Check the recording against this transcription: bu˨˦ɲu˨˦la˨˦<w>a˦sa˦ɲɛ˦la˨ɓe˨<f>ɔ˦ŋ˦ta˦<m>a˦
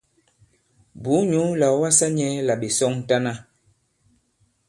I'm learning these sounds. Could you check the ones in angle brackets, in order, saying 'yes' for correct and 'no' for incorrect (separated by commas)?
yes, no, no